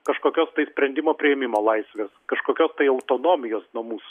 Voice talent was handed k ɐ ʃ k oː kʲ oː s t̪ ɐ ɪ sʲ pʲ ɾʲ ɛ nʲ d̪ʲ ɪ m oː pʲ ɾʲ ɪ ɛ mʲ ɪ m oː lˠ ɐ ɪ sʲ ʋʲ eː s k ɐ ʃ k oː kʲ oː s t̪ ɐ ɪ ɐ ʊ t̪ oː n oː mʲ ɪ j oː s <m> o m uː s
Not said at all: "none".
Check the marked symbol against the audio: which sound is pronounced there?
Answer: n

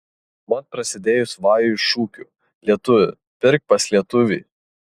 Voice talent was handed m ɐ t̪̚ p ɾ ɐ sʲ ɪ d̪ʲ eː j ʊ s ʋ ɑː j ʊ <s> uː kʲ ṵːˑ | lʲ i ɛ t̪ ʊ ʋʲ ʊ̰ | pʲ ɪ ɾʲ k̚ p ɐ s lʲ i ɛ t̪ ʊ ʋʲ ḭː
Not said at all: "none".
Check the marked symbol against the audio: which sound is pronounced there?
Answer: ʃ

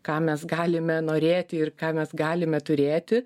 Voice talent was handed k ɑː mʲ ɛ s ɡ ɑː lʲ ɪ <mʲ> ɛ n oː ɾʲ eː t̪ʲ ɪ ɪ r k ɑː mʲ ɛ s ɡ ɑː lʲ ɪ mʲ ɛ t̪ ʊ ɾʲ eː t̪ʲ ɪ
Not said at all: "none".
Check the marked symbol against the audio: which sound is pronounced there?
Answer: mʲ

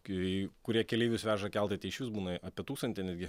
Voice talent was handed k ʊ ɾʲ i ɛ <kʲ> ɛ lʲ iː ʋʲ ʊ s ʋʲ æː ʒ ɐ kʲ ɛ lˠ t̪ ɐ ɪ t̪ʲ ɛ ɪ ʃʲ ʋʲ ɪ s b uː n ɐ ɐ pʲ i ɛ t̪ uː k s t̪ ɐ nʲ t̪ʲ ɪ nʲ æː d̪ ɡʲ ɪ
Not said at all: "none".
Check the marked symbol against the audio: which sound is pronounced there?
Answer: kʲ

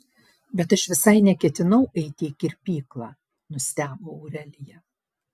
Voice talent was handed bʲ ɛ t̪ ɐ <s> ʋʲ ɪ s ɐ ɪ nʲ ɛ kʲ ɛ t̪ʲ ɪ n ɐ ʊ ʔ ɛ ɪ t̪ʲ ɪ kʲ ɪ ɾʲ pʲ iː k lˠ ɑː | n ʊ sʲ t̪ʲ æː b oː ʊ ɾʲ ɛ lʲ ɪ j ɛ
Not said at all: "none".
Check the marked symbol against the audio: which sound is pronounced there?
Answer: ʃ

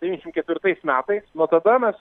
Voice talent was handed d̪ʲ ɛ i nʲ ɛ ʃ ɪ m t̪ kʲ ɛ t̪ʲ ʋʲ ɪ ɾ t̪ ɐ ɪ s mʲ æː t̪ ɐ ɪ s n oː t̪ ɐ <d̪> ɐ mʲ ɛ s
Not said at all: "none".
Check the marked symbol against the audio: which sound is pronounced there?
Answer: d̪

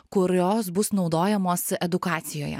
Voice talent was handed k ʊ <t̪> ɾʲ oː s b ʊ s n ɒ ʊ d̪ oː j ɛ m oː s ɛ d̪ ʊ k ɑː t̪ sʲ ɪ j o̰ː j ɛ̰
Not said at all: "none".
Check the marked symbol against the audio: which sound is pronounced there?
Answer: none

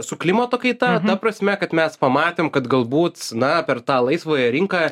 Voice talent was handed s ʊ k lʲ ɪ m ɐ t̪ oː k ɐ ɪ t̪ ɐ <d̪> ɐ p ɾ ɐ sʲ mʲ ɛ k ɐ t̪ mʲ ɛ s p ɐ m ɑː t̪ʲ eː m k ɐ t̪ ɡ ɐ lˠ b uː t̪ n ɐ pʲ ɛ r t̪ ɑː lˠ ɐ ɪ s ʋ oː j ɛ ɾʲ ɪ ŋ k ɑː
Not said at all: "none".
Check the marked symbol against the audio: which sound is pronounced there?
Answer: t̪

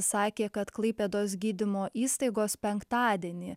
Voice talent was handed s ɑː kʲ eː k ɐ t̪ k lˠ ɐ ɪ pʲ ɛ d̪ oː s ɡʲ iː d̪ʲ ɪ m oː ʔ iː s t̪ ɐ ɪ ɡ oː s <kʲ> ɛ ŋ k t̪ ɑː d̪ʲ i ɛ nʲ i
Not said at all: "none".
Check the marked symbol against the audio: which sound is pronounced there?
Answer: pʲ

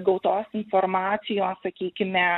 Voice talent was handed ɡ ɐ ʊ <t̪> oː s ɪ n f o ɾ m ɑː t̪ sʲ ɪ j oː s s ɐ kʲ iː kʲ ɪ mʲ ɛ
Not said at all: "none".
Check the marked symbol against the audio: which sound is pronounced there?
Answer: t̪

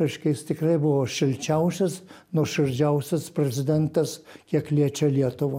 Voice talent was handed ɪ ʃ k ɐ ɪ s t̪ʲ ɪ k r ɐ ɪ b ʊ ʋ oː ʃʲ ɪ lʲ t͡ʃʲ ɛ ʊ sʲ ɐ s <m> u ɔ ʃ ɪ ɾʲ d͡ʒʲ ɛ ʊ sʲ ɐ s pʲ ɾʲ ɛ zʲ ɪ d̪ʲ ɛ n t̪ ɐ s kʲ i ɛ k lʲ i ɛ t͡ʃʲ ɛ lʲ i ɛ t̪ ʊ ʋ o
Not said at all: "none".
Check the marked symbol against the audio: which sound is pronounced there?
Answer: n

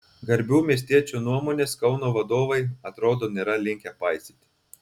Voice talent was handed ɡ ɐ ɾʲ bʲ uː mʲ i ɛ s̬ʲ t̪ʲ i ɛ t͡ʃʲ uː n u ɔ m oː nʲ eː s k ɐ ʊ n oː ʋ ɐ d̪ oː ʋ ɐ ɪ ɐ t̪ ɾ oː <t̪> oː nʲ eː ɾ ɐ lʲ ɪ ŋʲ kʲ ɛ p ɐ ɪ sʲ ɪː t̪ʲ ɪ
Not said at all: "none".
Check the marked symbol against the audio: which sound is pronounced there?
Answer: d̪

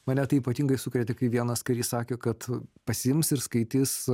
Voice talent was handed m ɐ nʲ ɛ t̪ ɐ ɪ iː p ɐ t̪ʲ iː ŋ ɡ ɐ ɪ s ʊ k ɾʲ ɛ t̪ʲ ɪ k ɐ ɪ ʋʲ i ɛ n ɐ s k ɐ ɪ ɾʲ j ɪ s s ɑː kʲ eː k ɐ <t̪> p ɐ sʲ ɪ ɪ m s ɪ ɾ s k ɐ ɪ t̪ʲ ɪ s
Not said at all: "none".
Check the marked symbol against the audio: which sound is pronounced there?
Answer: t̪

